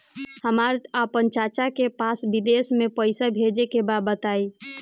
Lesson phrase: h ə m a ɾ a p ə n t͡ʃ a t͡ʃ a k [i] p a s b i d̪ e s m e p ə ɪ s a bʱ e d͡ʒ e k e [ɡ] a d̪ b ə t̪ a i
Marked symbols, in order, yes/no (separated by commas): no, no